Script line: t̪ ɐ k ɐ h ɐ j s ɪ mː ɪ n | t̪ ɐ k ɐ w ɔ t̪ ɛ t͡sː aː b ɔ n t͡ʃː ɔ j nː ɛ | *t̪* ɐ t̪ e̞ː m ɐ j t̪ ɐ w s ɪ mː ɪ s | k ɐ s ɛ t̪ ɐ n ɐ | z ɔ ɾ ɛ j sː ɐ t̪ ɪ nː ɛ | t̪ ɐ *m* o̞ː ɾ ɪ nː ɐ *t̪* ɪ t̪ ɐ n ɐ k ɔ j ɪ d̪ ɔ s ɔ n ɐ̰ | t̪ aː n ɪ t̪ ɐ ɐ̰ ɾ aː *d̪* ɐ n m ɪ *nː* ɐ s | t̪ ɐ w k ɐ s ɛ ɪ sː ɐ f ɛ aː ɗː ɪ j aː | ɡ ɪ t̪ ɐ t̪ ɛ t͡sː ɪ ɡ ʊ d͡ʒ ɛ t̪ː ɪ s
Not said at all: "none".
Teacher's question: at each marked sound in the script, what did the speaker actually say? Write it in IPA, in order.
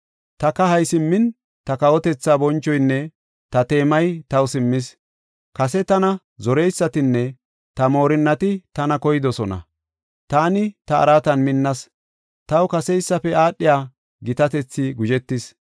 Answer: t̪, m, t̪, t̪, nː

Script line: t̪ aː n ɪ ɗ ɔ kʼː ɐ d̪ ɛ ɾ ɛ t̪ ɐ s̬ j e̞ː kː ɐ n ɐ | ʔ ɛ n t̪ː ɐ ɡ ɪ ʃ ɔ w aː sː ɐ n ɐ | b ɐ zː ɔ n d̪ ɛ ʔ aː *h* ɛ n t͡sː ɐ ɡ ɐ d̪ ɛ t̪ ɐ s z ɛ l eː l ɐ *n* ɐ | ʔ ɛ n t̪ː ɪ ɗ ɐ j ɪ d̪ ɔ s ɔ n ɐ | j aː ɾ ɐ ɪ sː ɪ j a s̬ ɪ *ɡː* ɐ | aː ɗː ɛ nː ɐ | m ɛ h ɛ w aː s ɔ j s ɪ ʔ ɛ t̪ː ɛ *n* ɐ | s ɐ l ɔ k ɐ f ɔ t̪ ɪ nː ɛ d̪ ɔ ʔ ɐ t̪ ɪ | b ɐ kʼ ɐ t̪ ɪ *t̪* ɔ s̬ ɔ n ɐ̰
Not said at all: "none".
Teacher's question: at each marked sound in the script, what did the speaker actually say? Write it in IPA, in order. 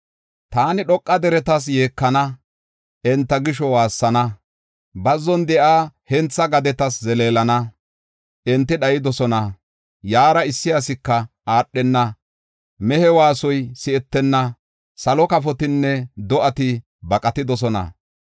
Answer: h, n, kː, nː, d̪

